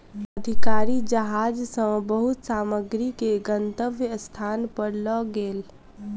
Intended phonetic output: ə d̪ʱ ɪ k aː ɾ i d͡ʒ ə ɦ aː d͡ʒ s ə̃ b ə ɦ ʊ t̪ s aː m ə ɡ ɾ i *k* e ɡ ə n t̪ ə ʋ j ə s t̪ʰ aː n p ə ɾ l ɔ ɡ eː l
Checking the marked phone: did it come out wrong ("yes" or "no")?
no